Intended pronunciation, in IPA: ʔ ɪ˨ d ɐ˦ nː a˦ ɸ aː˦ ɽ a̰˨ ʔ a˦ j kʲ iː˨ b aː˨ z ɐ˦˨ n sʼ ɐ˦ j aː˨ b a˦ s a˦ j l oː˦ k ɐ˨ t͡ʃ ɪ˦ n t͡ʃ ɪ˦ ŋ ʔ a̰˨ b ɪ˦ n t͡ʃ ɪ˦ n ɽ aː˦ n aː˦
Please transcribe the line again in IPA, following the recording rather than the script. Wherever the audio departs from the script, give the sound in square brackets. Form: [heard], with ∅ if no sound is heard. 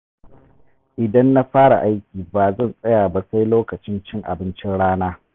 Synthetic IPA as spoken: ʔ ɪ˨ d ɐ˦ nː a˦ ɸ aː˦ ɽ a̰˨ ʔ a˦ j kʲ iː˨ b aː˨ z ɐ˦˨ n sʼ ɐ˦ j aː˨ b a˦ s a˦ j l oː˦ k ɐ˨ t͡ʃ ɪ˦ n t͡ʃ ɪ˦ ŋ ʔ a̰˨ b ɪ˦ n t͡ʃ ɪ˦ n ɽ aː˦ n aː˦

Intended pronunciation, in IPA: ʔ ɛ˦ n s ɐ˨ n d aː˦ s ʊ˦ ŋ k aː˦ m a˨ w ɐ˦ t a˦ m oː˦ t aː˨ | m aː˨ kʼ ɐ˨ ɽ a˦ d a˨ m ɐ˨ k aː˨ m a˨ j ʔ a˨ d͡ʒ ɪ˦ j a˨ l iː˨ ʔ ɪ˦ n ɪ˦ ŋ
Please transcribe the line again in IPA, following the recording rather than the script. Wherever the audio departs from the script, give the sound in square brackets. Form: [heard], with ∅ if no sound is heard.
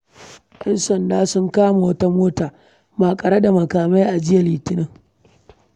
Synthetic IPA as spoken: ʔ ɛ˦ n s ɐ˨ n d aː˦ s ʊ˦ ŋ k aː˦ m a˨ w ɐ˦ t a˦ m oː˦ t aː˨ | m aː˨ kʼ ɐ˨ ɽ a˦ d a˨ m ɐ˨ k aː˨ m [a˦] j ʔ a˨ d͡ʒ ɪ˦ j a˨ l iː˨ [t] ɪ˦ n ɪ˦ ŋ

